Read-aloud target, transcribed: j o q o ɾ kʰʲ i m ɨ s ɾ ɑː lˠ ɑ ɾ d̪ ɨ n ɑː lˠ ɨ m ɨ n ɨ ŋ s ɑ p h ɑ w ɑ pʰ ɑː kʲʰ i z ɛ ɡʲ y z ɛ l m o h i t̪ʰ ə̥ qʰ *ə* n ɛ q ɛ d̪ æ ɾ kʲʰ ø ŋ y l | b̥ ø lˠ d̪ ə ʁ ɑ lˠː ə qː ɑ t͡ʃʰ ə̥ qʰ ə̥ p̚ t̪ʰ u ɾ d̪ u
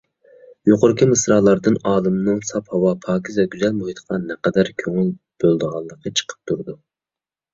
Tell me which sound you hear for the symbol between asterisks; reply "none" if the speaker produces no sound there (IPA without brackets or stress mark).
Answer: ɑ